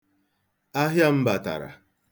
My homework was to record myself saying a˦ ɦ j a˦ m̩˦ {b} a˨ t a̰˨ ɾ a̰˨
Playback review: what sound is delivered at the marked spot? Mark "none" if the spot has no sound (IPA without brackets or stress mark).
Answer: b